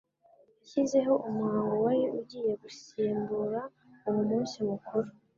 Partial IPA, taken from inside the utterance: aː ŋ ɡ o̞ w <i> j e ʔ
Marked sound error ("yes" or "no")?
yes